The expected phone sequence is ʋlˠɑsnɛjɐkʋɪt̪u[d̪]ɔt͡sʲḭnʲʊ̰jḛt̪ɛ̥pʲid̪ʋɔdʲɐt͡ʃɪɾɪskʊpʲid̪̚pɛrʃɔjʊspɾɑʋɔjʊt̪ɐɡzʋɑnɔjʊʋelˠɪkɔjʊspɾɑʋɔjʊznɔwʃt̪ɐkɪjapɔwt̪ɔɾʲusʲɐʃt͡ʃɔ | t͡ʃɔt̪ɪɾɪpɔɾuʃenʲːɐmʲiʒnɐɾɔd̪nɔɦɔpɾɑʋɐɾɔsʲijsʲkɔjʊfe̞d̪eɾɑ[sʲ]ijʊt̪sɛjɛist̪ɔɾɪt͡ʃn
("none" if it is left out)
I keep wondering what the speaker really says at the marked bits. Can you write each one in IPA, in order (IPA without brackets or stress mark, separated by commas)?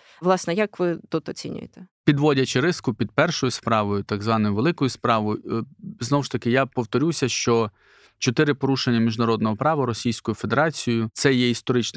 t̪, t͡sʲ